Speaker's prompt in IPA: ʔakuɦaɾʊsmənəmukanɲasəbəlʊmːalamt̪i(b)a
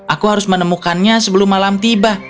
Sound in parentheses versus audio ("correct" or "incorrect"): correct